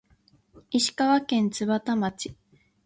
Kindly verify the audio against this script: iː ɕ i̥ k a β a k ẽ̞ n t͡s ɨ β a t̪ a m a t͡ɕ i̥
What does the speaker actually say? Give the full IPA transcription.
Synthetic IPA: i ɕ i̥ k a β a k ẽ̞ n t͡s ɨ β a t̪ a m a t͡ɕ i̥